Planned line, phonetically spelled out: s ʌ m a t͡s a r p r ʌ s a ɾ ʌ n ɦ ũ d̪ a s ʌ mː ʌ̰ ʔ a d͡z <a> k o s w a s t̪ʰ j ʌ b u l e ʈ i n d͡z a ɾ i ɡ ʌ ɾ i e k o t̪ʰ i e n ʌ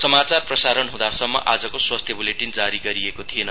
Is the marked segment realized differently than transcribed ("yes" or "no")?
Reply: yes